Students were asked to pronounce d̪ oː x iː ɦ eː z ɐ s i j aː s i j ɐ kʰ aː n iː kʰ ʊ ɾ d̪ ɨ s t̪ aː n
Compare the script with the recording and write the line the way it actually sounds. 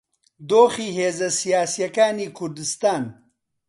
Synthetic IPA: d̪ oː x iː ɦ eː z ɐ s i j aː s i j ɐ k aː n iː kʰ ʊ ɾ d̪ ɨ s t̪ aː n